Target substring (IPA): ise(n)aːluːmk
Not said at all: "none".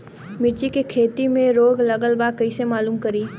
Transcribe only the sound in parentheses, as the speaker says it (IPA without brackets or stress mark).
m